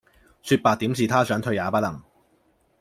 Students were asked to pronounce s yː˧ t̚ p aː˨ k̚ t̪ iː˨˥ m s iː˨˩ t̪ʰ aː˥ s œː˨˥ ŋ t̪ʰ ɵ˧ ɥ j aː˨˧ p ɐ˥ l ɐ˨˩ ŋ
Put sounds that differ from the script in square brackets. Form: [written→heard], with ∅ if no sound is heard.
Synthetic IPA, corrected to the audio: s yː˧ t̚ p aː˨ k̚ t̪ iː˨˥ m s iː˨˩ t̪ʰ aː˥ s œː˨˥ ŋ t̪ʰ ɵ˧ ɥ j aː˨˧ p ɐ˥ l ɐ˨˩ ŋ